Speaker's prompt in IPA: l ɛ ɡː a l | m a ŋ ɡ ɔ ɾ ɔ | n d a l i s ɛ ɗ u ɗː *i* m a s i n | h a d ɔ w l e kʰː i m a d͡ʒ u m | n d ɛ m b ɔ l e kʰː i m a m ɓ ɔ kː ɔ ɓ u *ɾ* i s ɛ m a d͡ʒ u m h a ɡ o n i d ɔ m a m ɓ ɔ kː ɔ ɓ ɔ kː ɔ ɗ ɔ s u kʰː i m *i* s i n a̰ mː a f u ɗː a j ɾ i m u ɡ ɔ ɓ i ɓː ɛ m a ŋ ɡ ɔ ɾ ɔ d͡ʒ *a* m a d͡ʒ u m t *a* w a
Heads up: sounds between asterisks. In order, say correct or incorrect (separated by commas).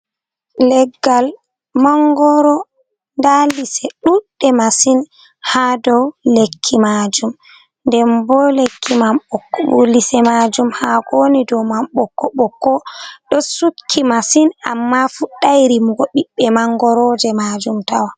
incorrect, incorrect, incorrect, incorrect, correct